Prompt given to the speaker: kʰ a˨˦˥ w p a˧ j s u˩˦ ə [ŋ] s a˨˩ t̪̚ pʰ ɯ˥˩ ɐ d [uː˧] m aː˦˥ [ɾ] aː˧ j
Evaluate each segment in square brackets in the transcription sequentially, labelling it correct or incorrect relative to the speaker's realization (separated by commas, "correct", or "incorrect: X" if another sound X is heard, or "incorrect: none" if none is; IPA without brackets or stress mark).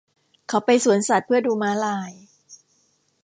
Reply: incorrect: n, correct, incorrect: l